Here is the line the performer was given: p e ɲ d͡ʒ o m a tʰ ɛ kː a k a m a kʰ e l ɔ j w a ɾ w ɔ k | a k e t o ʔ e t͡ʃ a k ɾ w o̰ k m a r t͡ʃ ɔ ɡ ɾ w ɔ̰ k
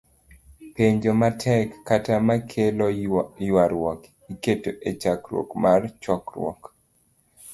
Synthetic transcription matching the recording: p e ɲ d͡ʒ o m a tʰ ɛ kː a t a m a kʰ e l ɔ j w a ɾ w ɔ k | i k e t o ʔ e t͡ʃ a k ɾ w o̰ k m a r t͡ʃ ɔ k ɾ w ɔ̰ k